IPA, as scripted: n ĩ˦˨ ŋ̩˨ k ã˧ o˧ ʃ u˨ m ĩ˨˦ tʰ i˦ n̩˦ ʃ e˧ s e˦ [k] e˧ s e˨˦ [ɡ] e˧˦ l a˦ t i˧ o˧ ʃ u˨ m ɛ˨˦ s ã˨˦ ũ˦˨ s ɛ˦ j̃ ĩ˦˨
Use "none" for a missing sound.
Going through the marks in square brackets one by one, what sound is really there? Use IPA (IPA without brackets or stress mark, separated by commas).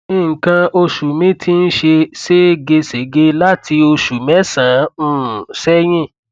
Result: ɡ, ɡ